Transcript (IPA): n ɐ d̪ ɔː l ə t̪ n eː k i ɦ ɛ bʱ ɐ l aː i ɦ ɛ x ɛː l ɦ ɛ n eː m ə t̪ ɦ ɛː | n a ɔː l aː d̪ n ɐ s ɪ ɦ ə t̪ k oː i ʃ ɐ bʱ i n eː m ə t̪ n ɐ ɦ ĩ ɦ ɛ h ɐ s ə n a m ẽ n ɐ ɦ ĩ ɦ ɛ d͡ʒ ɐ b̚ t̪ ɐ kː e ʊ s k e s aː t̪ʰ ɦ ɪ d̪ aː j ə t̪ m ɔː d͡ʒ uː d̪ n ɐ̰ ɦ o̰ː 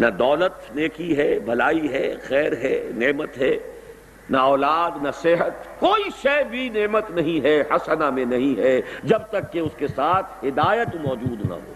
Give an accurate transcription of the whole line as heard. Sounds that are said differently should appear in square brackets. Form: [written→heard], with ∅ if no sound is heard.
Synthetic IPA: n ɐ d̪ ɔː l ə t̪ n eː k i ɦ ɛ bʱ ɐ l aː i ɦ ɛ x ɛː [l→ɾ] ɦ ɛ n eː m ə t̪ ɦ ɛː | n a ɔː l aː d̪ n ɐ s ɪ ɦ ə t̪ k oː i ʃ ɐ bʱ i n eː m ə t̪ n ɐ ɦ ĩ ɦ ɛ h ɐ s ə n a m ẽ n ɐ ɦ ĩ ɦ ɛ d͡ʒ ɐ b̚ t̪ ɐ kː e ʊ s k e s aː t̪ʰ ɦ ɪ d̪ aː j ə t̪ m ɔː d͡ʒ uː d̪ n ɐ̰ ɦ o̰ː